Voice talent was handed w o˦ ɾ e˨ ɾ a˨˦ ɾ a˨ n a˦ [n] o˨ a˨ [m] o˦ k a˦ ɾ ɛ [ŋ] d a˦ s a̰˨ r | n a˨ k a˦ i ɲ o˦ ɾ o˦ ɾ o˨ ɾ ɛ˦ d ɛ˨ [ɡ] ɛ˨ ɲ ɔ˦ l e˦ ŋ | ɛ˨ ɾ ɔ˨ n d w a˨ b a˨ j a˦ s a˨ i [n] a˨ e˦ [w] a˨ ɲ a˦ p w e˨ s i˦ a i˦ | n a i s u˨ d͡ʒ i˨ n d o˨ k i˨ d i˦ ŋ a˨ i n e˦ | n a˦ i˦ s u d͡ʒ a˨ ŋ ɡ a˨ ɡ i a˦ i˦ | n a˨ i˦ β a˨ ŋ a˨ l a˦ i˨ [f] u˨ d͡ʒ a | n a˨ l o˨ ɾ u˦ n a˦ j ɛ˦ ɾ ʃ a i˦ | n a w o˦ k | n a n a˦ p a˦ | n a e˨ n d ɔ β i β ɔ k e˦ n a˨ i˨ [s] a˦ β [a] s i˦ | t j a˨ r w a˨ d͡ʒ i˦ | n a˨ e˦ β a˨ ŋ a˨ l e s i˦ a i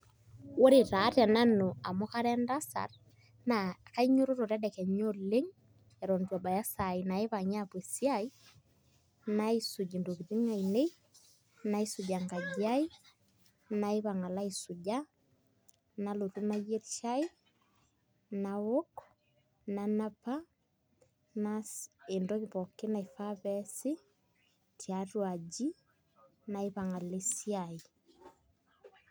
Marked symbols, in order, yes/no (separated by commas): yes, yes, no, no, yes, no, no, no, no